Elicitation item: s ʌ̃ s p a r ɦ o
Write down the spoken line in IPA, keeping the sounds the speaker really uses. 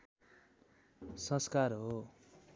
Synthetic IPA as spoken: s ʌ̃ s k a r ɦ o